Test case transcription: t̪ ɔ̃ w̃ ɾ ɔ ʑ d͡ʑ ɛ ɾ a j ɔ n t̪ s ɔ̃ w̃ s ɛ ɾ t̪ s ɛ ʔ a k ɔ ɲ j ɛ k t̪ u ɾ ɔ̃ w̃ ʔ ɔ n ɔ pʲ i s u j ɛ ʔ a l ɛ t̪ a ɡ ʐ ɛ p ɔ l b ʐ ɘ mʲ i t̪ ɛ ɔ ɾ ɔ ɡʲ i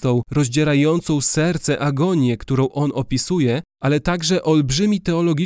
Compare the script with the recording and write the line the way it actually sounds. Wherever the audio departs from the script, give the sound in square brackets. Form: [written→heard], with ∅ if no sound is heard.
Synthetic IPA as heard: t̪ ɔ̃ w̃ ɾ ɔ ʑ d͡ʑ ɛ ɾ a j ɔ n t̪ s ɔ̃ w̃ s ɛ ɾ t̪ s ɛ ʔ a [k→ɡ] ɔ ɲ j ɛ k t̪ u ɾ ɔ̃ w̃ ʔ ɔ n ɔ pʲ i s u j ɛ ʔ a l ɛ t̪ a ɡ ʐ ɛ [p→ʔ] ɔ l b ʐ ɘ mʲ i t̪ ɛ ɔ [ɾ→l] ɔ ɡʲ i